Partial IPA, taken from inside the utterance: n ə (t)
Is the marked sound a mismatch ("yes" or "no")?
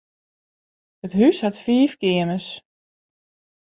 yes